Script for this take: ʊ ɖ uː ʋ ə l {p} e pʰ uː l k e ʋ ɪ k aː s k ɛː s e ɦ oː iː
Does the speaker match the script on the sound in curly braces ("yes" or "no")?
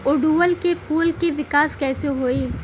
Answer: no